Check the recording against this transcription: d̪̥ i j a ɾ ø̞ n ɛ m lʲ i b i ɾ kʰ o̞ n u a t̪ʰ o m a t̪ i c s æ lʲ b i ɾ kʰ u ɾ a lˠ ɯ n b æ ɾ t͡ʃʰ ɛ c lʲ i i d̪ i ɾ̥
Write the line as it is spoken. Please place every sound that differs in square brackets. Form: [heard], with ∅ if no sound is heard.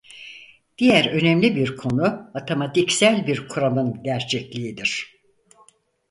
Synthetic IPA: d̪̥ i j [æ] ɾ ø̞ n ɛ m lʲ i b i ɾ kʰ o̞ n u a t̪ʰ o m a t̪ i c s æ lʲ b i ɾ kʰ u ɾ a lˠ ɯ n [ɟ] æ ɾ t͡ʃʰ ɛ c lʲ i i d̪ i ɾ̥